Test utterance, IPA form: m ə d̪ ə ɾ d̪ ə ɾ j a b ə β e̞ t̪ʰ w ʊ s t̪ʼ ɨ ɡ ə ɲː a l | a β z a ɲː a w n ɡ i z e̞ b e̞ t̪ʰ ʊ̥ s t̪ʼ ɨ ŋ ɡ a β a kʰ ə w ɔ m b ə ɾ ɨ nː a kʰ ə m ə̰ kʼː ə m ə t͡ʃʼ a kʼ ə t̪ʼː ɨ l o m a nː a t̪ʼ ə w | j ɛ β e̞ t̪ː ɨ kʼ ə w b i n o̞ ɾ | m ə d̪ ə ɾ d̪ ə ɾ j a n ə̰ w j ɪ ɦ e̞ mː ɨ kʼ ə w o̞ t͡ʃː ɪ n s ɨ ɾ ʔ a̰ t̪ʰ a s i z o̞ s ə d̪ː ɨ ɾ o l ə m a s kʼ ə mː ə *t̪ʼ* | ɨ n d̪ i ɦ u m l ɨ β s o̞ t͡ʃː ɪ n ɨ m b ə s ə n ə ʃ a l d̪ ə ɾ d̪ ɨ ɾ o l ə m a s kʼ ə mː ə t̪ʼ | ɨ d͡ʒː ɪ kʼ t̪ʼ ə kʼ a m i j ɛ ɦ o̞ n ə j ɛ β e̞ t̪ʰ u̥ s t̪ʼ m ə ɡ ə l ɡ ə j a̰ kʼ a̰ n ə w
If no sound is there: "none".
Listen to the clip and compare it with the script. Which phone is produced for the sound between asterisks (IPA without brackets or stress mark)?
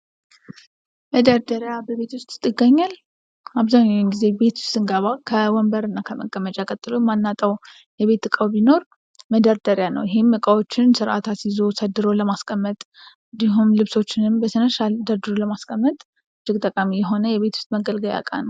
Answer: t̪ʼ